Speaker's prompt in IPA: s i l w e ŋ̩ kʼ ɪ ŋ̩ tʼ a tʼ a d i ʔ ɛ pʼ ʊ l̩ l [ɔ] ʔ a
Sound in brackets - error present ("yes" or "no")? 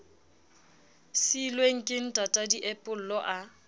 no